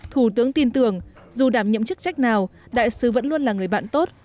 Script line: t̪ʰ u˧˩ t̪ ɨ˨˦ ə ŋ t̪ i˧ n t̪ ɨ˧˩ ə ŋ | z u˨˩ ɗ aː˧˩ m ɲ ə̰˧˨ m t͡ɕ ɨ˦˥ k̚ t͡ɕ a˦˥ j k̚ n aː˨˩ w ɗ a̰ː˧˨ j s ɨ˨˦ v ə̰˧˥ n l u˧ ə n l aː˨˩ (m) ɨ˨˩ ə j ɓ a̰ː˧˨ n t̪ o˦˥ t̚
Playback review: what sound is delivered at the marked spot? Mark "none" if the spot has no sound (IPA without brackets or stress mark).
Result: ŋ